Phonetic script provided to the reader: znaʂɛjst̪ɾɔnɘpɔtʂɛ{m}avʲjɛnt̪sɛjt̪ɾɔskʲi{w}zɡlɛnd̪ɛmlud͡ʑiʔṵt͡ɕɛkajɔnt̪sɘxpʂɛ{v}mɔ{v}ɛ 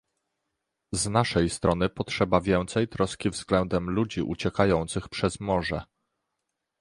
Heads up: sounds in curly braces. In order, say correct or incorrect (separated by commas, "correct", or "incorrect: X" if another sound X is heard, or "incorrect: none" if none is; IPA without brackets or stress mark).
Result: incorrect: b, incorrect: v, incorrect: z, incorrect: ʐ